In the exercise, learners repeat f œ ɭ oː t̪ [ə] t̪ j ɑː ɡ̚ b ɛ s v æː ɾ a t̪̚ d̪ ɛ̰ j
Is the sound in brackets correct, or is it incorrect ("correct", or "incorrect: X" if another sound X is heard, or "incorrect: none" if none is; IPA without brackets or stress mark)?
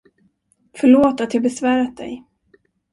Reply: incorrect: a